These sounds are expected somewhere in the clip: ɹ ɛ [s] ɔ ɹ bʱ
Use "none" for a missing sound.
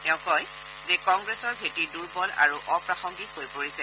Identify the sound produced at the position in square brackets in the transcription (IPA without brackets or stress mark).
s